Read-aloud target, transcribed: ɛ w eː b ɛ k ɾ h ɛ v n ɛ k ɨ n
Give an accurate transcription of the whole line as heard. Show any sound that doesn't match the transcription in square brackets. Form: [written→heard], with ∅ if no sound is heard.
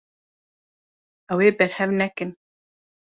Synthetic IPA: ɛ w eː b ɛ [k→∅] ɾ h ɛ v n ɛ k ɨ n